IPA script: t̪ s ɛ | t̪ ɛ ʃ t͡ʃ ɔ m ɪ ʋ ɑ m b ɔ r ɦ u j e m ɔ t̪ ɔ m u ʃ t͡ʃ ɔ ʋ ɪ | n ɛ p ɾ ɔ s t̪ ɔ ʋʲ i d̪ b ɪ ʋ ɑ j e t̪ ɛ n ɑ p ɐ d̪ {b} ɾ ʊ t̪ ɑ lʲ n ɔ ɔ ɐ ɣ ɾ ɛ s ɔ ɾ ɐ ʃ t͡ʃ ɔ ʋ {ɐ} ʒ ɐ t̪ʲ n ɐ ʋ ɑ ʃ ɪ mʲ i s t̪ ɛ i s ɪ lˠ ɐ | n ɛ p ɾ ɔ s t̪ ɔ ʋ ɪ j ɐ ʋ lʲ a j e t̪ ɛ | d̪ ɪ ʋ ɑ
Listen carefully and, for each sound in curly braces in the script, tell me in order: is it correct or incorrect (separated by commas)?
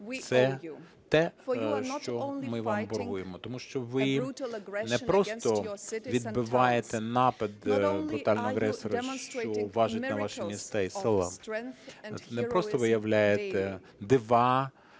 correct, incorrect